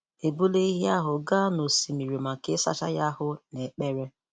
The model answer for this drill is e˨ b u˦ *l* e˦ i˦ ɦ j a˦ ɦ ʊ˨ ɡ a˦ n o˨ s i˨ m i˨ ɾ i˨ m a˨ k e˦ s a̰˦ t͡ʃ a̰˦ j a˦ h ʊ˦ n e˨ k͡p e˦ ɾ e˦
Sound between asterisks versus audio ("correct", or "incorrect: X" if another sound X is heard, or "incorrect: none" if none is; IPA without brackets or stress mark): correct